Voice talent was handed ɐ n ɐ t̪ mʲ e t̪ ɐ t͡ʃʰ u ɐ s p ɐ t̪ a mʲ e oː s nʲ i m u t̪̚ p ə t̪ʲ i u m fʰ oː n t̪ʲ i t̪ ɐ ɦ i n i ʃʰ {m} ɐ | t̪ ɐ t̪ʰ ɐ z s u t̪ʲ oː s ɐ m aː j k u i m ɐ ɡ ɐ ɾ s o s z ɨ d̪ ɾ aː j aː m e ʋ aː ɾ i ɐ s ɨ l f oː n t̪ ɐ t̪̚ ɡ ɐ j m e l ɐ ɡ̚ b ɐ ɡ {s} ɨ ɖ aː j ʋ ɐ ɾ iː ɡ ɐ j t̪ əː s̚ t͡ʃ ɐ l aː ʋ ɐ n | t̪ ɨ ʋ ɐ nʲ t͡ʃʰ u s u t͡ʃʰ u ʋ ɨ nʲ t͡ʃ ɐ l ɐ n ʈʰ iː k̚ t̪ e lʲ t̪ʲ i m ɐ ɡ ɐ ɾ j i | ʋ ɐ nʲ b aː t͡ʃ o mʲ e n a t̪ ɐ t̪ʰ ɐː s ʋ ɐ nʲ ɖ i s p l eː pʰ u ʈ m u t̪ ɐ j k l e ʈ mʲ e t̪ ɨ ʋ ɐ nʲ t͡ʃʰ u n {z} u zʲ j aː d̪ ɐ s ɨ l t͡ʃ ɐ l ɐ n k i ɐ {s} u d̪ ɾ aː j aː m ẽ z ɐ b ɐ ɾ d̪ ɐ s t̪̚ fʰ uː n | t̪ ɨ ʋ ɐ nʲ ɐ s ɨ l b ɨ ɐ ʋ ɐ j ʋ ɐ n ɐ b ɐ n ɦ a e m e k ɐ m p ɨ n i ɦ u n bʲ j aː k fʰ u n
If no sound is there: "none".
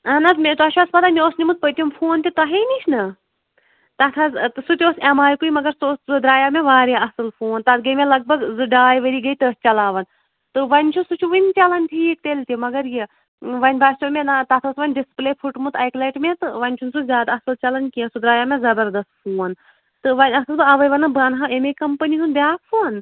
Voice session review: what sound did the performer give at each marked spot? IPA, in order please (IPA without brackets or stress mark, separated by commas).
n, z, s, s